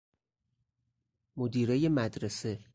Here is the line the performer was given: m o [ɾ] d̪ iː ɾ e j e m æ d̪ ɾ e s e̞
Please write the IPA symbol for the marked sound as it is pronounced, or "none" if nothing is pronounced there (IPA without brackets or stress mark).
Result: none